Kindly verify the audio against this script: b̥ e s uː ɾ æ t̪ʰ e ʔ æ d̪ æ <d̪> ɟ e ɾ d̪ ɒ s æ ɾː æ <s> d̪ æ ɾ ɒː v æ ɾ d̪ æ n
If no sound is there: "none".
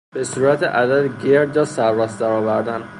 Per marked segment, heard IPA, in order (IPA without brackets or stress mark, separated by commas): d̪, s